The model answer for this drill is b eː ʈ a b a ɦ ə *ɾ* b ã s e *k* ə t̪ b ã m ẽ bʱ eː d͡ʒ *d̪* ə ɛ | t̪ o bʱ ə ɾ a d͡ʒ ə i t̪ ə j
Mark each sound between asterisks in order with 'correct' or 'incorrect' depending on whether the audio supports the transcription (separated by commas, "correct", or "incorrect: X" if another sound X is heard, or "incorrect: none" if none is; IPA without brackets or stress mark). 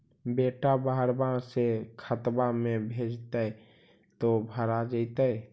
correct, incorrect: kʰ, incorrect: t̪